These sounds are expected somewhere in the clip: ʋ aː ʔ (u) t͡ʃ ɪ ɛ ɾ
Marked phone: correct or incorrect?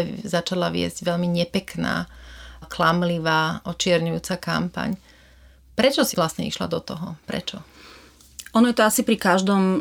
incorrect